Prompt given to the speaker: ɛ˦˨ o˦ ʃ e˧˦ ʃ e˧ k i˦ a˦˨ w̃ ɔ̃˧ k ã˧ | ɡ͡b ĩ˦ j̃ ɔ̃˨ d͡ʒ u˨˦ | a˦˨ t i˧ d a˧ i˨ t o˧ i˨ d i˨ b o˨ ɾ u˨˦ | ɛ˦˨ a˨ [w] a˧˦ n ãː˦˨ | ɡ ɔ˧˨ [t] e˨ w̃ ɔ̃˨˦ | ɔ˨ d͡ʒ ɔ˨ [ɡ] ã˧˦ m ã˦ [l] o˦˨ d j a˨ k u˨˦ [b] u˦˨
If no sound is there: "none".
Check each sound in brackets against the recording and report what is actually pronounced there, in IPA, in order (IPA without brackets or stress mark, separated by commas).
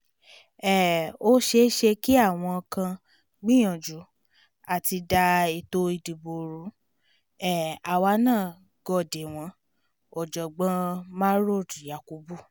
w, d, ɡ͡b, ɾ, b